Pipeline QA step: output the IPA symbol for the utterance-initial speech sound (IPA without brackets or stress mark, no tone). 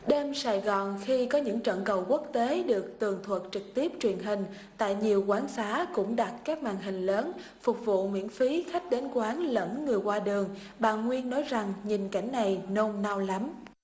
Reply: ɗ